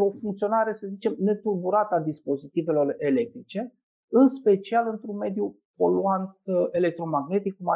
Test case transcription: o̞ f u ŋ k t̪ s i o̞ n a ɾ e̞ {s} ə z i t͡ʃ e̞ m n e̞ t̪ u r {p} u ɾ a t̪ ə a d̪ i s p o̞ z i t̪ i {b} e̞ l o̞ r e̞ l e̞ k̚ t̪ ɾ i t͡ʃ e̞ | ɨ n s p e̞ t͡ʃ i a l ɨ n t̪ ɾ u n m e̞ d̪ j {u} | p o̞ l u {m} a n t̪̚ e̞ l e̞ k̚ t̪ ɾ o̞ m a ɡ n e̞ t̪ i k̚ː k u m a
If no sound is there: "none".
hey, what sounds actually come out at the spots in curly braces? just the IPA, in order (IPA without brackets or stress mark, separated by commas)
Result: s, b, v, u, none